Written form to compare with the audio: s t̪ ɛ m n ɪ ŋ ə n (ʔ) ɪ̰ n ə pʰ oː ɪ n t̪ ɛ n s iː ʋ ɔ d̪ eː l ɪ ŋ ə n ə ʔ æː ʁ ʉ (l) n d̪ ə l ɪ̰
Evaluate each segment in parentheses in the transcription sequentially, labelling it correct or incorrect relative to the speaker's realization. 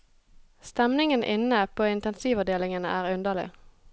correct, incorrect: none

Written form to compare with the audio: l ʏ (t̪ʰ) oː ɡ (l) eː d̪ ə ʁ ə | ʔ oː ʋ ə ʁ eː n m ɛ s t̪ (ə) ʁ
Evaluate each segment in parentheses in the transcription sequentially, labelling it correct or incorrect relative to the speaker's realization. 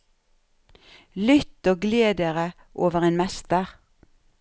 incorrect: t̪, correct, correct

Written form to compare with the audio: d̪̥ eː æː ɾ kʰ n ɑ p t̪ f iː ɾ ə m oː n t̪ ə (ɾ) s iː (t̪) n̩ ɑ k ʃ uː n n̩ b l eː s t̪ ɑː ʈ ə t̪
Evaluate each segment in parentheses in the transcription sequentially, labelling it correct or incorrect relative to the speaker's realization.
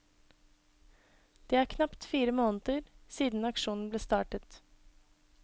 correct, incorrect: d̪

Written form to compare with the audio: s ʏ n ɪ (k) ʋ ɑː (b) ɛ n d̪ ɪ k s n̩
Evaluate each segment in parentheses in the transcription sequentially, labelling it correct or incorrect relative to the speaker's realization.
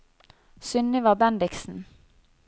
incorrect: none, correct

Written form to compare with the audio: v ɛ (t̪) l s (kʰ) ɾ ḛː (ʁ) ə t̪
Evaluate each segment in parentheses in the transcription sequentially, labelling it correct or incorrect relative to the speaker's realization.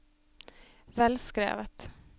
incorrect: none, incorrect: k, incorrect: v

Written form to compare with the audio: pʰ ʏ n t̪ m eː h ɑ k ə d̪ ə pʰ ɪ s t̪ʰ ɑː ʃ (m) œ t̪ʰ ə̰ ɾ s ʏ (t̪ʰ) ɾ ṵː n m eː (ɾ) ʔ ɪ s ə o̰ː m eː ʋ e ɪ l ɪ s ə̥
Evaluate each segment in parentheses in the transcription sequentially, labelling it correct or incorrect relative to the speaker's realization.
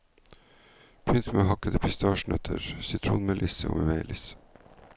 incorrect: ɳ, correct, incorrect: l

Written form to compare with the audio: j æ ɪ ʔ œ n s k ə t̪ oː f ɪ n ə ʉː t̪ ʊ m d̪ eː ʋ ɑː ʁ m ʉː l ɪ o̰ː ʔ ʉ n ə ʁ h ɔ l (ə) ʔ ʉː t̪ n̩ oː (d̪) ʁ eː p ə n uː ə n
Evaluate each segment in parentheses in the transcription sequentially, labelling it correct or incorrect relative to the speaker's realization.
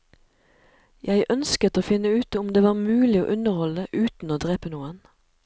correct, correct

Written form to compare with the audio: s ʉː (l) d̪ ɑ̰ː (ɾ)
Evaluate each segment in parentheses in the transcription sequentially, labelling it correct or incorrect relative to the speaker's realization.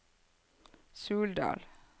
correct, incorrect: l

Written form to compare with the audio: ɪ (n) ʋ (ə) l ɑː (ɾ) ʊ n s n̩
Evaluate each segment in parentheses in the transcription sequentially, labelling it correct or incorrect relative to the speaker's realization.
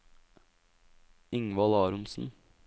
incorrect: ŋ, incorrect: ɑ, correct

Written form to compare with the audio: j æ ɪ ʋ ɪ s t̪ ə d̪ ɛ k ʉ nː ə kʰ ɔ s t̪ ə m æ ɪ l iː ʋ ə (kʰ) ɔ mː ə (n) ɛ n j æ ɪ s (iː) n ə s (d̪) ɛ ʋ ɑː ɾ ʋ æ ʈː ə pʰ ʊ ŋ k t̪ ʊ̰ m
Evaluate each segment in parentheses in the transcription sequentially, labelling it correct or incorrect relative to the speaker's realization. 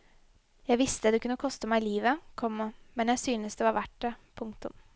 correct, incorrect: m, incorrect: yː, correct

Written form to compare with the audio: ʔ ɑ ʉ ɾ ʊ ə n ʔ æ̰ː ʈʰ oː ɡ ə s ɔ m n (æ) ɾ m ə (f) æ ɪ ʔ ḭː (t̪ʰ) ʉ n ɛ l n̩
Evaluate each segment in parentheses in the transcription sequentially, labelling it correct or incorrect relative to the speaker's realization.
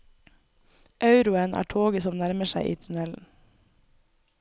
correct, incorrect: ʃ, correct

